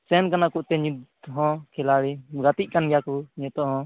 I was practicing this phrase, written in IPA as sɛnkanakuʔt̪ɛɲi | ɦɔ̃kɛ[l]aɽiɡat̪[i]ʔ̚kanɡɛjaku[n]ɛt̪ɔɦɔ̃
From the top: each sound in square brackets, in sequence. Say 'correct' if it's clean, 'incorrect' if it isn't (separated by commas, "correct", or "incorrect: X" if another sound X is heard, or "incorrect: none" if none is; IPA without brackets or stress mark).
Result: correct, correct, incorrect: ɲ